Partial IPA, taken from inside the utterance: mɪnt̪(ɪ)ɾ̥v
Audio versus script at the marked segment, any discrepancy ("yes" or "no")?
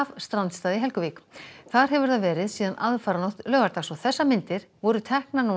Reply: no